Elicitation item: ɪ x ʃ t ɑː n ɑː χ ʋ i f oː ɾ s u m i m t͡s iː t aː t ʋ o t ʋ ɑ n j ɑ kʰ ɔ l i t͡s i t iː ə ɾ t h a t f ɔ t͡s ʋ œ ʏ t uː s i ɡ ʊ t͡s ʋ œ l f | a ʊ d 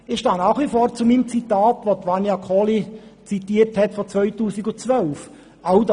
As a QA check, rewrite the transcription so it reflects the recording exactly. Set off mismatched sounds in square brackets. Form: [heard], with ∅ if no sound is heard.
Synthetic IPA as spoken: ɪ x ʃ t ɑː n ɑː χ ʋ i f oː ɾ [t͡s] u m i m t͡s [i] t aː t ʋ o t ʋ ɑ n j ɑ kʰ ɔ l i t͡s i t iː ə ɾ t h [ɛ] t f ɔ t͡s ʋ œ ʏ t uː s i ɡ ʊ t͡s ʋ œ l f | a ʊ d